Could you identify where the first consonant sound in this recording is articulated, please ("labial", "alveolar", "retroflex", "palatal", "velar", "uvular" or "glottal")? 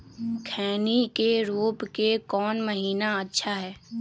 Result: velar